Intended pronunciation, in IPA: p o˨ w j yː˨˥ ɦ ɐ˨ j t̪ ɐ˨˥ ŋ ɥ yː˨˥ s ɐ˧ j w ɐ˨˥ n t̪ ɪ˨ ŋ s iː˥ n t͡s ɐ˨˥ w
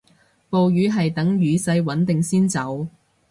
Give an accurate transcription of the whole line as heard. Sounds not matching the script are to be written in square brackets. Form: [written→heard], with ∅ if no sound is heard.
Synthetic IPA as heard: p o˨ w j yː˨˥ ɦ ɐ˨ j t̪ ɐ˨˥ ŋ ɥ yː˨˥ s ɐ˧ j w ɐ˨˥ n t̪ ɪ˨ ŋ s iː˥ n t͡s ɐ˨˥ w